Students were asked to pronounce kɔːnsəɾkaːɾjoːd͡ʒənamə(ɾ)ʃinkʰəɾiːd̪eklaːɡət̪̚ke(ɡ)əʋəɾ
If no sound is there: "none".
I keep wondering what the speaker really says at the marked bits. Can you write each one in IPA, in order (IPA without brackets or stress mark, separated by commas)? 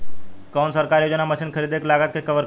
none, k